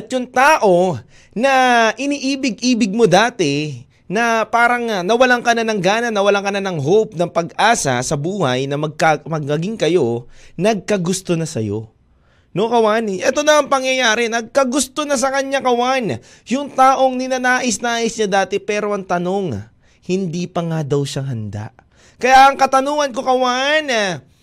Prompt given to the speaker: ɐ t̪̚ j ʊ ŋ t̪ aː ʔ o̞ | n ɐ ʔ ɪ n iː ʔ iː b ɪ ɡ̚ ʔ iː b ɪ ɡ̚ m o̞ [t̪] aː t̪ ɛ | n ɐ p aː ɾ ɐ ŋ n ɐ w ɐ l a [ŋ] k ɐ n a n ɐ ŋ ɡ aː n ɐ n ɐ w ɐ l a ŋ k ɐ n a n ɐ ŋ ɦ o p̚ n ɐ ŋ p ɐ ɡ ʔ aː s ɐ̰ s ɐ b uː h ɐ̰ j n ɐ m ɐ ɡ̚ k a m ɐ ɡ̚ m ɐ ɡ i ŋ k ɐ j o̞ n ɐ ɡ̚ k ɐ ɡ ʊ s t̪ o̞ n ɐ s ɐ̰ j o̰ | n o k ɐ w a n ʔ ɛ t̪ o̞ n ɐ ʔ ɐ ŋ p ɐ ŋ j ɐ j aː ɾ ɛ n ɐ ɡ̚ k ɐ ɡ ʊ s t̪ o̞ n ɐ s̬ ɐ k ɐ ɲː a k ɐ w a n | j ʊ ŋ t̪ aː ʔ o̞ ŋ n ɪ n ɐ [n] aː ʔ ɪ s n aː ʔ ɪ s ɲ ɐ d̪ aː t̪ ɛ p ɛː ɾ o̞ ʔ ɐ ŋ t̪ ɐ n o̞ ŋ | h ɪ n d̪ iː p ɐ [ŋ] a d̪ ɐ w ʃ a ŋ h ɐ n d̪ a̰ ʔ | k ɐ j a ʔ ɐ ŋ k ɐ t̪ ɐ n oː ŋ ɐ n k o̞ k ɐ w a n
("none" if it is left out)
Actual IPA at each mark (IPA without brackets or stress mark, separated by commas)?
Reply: d̪, ŋ, n, ŋ